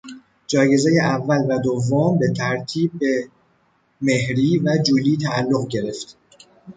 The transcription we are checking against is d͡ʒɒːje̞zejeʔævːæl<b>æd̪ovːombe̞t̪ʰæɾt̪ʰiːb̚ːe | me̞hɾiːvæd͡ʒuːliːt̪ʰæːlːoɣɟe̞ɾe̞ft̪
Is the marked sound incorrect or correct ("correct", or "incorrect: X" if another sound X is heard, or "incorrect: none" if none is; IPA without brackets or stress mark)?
incorrect: v